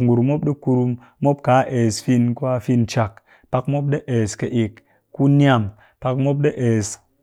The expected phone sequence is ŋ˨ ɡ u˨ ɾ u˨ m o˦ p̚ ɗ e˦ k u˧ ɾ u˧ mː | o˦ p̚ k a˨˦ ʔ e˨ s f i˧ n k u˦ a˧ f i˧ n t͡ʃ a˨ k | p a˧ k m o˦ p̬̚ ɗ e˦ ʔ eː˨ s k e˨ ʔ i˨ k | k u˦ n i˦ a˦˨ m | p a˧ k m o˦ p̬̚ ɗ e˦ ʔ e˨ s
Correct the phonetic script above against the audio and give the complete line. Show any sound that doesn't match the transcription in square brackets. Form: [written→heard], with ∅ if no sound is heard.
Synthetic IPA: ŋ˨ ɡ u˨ ɾ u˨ m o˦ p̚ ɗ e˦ k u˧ ɾ u˧ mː | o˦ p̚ k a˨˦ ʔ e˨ s f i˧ n k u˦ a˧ f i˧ n t͡ʃ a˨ k | p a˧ k m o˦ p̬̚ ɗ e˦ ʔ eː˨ s k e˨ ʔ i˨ k | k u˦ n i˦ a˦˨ m | p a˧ k m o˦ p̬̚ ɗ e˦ ʔ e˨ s